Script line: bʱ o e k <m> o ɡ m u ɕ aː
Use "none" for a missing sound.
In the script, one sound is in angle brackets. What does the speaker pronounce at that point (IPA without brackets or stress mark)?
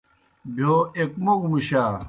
m